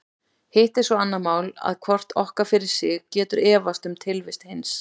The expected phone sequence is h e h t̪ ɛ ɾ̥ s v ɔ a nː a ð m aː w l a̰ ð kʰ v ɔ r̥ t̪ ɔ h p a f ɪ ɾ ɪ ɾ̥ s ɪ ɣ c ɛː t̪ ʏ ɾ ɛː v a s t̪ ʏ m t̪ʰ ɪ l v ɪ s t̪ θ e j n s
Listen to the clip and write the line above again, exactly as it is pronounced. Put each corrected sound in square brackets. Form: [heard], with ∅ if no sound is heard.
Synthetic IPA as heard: h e h t̪ ɛ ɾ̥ s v ɔ a nː a ð m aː w l a̰ ð kʰ v ɔ r̥ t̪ ɔ h [k] a f ɪ ɾ ɪ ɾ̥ s ɪ ɣ c ɛː t̪ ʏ ɾ ɛː v a s t̪ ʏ m t̪ʰ ɪ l v ɪ s t̪ [h] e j n s